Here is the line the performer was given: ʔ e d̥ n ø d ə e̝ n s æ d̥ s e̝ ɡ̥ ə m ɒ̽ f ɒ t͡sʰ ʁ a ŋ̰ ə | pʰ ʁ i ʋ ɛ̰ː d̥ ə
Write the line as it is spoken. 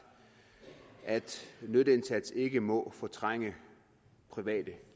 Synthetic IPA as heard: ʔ æ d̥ n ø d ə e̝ n s æ d̥ s e̝ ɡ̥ ə m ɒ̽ f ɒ t͡sʰ ʁ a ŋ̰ ə | pʰ ʁ i ʋ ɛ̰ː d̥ ə